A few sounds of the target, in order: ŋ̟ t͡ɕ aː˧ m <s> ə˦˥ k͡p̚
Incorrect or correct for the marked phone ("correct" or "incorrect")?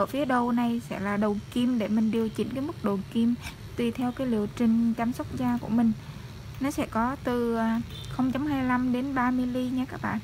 correct